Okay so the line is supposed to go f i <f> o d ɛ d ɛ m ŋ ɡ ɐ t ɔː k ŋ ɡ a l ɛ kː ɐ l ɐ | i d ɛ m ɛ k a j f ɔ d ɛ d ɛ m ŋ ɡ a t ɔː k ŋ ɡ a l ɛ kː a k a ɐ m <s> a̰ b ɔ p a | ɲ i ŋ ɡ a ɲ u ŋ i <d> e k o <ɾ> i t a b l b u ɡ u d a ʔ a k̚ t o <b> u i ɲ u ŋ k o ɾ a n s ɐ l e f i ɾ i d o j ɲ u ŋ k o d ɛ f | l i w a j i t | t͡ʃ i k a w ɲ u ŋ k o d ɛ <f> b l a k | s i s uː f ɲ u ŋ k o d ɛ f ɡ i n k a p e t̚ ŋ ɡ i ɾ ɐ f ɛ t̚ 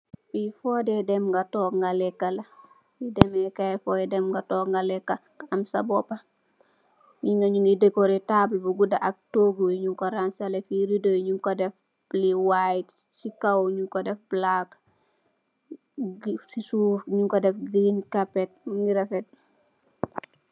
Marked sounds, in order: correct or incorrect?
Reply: correct, correct, correct, correct, incorrect, correct

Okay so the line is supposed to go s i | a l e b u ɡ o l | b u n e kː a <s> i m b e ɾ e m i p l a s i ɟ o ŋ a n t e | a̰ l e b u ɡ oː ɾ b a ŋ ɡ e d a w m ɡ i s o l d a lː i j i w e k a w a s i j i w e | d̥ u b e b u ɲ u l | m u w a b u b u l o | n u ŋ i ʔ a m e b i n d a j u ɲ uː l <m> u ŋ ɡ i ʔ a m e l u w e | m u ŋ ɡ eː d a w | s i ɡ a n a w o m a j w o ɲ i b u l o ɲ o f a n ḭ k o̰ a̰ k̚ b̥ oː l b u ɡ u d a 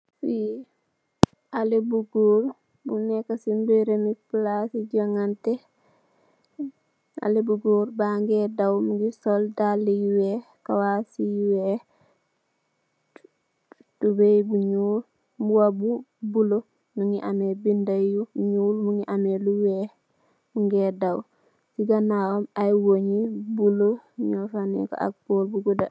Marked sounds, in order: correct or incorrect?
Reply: correct, correct

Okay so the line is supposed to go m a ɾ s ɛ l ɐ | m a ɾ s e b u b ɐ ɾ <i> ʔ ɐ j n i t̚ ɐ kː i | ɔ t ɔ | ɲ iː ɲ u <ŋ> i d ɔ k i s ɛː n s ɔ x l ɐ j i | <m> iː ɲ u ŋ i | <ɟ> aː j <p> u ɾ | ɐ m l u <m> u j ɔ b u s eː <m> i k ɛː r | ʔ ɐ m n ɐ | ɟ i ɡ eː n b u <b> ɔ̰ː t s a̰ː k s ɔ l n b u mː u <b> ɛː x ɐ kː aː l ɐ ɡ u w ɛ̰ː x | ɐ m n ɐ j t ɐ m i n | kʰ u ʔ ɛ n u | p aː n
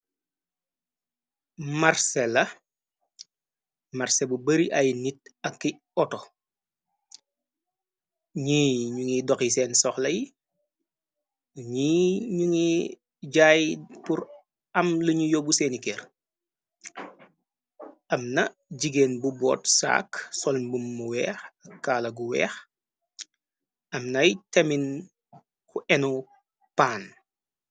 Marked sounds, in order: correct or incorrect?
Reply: correct, correct, incorrect, correct, correct, incorrect, incorrect, correct, incorrect

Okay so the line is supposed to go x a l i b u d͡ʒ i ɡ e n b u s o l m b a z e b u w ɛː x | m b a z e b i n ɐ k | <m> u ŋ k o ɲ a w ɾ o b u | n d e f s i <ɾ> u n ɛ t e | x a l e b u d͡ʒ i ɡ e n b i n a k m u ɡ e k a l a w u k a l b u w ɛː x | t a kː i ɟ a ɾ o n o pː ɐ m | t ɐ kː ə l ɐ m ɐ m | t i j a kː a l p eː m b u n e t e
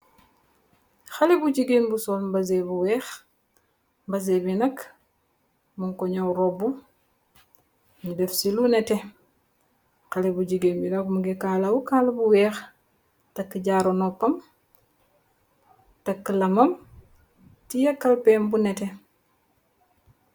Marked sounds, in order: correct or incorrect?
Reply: correct, incorrect

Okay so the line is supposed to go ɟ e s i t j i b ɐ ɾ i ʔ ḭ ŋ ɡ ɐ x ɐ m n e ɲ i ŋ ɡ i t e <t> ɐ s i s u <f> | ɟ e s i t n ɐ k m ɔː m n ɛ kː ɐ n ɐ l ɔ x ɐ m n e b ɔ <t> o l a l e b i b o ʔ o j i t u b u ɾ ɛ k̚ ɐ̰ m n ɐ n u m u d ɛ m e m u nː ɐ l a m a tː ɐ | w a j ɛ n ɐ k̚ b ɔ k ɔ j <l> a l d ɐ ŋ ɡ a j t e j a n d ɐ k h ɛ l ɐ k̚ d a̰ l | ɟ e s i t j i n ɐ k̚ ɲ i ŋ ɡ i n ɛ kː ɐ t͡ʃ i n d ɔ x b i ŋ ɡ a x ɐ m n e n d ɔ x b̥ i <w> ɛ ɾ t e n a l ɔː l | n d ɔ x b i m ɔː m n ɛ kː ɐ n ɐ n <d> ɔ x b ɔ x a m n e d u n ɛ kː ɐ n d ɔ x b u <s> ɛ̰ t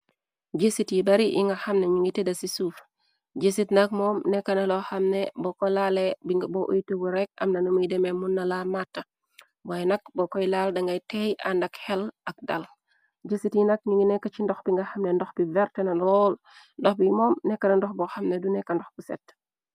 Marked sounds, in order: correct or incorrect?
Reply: incorrect, correct, incorrect, correct, incorrect, correct, correct

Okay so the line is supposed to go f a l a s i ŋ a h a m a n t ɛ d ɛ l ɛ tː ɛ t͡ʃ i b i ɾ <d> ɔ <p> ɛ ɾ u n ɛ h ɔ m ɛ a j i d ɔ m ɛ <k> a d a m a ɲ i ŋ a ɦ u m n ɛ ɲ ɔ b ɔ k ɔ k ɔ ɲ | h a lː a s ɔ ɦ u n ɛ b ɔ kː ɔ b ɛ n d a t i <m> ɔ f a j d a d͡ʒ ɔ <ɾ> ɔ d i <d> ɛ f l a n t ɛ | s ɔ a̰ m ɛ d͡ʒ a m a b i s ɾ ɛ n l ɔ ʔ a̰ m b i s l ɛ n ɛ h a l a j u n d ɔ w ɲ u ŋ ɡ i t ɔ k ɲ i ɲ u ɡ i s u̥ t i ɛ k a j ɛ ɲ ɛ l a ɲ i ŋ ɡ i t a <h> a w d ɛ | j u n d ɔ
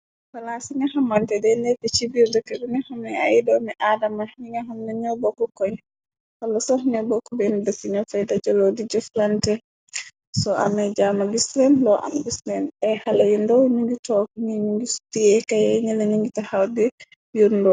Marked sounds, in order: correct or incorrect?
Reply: correct, incorrect, incorrect, incorrect, incorrect, incorrect, correct

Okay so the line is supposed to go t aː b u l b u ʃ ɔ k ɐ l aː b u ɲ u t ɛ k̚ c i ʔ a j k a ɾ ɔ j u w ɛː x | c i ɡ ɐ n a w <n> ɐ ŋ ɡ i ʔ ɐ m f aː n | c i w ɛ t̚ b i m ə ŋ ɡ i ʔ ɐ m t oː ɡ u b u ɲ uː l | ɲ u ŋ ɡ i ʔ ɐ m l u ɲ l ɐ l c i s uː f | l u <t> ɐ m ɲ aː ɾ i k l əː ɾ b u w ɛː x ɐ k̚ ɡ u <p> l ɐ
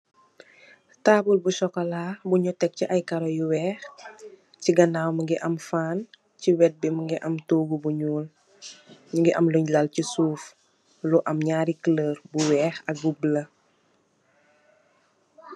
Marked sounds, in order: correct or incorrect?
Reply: incorrect, incorrect, incorrect

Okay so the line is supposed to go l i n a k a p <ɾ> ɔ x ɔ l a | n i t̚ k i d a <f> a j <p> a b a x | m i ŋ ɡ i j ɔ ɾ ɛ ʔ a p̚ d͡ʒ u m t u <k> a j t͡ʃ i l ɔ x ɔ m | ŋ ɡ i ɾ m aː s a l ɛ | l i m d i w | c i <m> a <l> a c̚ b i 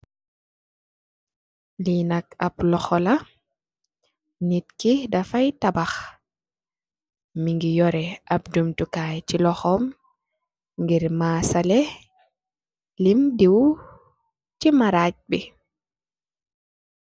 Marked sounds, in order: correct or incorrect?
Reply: incorrect, correct, incorrect, correct, correct, incorrect

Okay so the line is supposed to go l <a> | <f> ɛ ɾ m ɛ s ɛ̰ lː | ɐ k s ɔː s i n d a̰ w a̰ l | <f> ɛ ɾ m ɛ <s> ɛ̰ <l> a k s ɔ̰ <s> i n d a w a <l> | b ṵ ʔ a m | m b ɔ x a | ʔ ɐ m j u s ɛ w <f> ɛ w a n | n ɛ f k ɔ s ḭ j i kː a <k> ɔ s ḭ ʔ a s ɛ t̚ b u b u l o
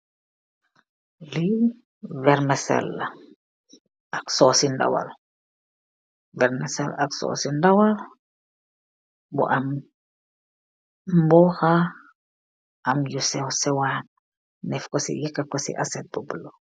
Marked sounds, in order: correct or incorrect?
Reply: incorrect, incorrect, incorrect, correct, correct, correct, correct, incorrect, correct

